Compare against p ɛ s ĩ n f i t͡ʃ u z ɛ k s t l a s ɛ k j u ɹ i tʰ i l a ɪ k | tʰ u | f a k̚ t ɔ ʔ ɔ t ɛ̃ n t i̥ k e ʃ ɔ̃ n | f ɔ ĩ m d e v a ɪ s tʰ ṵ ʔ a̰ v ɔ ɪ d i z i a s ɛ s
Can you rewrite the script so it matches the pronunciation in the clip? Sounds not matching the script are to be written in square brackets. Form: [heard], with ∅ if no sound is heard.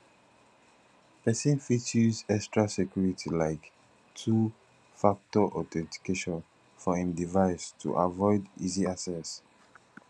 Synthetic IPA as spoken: p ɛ s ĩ n f i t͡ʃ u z ɛ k s t [ɹ] a s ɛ k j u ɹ i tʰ i l a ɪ k | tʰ u | f a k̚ t ɔ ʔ ɔ t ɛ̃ n t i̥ k e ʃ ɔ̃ n | f ɔ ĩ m d [i] v a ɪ s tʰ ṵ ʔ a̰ v ɔ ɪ d i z i a s ɛ s